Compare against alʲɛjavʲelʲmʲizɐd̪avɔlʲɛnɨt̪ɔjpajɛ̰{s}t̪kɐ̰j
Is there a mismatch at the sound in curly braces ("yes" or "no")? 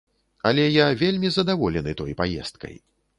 no